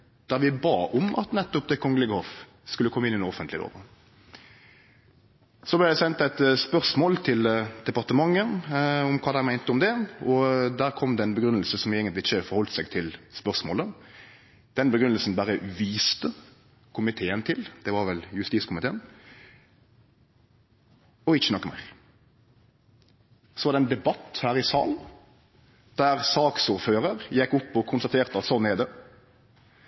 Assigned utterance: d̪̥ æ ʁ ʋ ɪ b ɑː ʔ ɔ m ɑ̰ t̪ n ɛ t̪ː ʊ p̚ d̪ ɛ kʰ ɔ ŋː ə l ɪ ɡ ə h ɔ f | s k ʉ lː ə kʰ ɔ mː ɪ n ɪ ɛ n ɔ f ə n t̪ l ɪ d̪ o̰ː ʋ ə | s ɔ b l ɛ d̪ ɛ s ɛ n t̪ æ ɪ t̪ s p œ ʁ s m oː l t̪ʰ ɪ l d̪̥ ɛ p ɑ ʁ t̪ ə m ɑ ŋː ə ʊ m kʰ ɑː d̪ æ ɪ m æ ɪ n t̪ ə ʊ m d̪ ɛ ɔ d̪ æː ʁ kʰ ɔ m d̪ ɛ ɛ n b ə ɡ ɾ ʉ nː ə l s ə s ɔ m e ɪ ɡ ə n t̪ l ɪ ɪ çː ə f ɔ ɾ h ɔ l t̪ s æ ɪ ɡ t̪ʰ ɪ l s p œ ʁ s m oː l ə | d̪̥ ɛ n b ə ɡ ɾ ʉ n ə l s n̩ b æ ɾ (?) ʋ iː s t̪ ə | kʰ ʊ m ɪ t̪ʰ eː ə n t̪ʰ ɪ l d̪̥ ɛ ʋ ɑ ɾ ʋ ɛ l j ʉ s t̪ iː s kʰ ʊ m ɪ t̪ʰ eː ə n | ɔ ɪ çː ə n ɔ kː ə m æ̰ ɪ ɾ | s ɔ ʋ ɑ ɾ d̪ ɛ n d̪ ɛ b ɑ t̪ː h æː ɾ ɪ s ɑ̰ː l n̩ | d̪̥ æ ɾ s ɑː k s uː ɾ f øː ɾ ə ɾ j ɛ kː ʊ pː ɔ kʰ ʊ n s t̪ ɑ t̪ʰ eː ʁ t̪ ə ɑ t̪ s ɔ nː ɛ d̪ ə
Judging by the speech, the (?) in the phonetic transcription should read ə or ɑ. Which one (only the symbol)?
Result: ə